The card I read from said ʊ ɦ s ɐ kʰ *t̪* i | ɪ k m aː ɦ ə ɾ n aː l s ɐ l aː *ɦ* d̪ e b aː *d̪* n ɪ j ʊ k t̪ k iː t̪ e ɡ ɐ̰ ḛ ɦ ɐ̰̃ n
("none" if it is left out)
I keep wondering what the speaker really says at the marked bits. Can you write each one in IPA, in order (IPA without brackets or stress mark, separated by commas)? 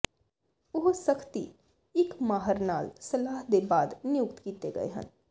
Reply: t̪, ɦ, d̪